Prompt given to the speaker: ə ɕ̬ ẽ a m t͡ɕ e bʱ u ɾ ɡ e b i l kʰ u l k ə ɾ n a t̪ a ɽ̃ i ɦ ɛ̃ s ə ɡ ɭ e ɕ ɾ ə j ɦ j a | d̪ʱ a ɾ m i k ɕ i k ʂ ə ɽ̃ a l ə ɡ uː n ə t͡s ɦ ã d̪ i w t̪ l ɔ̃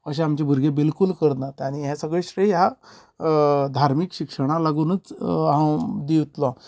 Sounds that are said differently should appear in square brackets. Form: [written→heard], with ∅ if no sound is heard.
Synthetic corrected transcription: ə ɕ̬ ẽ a m t͡ɕ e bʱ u ɾ ɡ e b i l [kʰ→k] u l k ə ɾ n a t̪ a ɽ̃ i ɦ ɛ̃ s ə ɡ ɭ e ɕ ɾ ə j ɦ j a | d̪ʱ a ɾ m i k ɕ i k ʂ ə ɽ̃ a l [ə→a] ɡ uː n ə t͡s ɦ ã d̪ i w t̪ l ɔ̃